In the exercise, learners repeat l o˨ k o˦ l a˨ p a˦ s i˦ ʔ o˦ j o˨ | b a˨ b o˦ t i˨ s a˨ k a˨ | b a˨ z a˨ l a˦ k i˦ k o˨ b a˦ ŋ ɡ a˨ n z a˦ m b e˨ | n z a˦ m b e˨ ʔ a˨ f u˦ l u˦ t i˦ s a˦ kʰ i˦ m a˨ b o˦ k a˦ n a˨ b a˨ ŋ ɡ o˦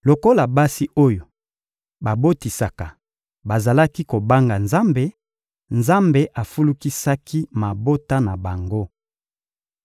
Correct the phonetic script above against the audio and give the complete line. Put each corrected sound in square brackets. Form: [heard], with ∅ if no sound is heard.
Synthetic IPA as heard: l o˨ k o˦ l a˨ [b] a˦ s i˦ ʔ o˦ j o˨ | b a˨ b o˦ t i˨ s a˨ k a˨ | b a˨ z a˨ l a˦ k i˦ k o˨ b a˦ ŋ ɡ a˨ n z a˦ m b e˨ | n z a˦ m b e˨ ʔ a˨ f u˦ l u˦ [k] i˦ s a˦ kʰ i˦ m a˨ b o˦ [t] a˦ n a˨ b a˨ ŋ ɡ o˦